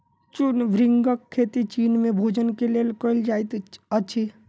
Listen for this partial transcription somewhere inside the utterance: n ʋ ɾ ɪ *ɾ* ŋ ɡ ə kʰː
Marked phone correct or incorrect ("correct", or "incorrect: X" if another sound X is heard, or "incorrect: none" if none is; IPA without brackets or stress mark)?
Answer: incorrect: none